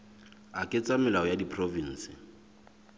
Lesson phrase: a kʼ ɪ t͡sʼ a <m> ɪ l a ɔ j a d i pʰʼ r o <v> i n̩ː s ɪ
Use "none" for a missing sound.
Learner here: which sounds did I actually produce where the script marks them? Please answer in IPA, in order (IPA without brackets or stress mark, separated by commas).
m, v